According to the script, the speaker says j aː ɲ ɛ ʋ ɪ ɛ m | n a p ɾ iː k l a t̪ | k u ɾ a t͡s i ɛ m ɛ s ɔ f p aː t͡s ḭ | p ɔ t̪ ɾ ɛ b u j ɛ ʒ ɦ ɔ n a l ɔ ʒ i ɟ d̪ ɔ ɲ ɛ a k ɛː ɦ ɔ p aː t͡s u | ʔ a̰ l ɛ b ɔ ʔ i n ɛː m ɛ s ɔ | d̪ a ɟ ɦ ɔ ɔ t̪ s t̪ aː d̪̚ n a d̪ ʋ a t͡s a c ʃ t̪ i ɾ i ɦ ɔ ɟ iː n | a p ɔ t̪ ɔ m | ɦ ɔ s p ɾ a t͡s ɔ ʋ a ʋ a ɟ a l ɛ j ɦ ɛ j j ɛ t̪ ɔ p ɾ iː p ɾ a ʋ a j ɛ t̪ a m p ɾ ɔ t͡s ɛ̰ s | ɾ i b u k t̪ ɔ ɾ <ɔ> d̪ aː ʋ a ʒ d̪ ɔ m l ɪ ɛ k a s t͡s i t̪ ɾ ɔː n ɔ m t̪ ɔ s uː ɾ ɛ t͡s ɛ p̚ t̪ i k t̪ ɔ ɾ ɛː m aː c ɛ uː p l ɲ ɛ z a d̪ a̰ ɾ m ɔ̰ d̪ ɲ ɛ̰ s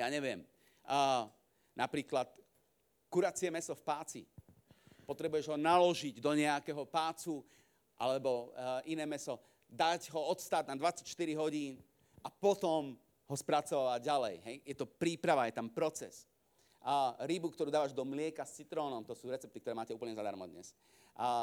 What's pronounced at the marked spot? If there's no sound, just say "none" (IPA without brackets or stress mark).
u